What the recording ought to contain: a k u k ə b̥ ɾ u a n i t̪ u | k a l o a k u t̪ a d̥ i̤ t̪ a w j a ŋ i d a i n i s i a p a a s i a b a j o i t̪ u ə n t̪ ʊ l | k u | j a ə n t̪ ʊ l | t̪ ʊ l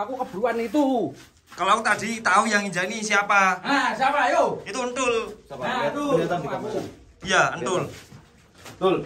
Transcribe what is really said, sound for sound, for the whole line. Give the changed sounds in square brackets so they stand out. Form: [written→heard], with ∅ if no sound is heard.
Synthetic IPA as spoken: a k u k ə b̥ ɾ u a n i t̪ u | k a l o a k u t̪ a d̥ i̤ t̪ a [w→u] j a ŋ i [d→d͡ʒ] a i n i s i a p a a s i a [b→p] a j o i t̪ u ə n t̪ ʊ l | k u | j a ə n t̪ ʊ l | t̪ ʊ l